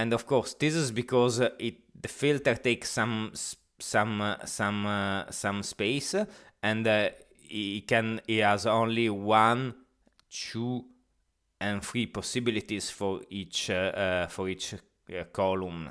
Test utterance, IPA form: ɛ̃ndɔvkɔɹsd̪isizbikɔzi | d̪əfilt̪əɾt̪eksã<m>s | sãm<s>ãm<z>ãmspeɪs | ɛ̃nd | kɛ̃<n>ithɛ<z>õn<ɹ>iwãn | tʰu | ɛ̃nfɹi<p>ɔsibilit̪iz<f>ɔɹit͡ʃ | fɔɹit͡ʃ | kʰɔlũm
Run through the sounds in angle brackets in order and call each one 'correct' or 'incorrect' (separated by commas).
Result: correct, correct, incorrect, correct, correct, incorrect, correct, correct